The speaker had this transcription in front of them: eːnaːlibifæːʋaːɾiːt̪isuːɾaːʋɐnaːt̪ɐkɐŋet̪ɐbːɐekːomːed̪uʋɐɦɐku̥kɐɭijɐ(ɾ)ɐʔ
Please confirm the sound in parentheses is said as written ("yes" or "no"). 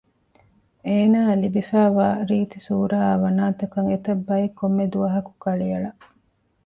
no